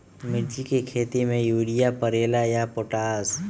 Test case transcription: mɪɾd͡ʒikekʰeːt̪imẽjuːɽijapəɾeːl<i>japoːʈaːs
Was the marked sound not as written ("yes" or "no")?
yes